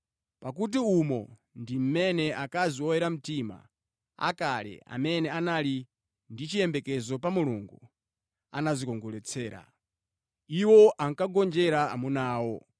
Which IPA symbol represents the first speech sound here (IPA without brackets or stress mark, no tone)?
p